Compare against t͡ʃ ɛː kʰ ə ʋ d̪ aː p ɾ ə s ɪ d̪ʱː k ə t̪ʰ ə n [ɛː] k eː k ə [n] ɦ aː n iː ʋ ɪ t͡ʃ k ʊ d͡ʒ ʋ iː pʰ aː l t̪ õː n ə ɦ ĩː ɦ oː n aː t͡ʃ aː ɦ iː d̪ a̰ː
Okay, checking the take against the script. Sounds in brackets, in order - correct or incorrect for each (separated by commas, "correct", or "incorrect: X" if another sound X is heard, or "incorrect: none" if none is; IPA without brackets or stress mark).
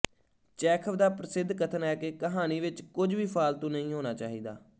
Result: correct, incorrect: none